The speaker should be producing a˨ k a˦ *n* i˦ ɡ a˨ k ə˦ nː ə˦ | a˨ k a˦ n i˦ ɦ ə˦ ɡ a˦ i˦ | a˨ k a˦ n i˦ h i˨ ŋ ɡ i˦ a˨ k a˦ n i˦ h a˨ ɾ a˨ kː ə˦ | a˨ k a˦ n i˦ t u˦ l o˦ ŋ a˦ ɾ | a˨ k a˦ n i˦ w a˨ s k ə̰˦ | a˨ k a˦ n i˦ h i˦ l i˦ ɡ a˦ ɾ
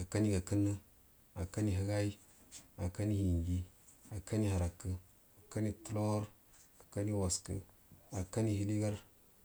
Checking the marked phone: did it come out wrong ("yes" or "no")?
no